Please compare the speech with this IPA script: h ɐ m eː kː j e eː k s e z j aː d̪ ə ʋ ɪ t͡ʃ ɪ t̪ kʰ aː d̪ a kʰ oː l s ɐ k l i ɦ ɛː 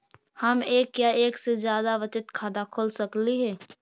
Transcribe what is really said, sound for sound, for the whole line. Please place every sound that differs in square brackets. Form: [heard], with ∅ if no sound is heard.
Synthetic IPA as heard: h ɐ m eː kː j [a] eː k s e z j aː d̪ [a] ʋ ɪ t͡ʃ ɪ t̪ kʰ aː d̪ a kʰ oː l s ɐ k l i ɦ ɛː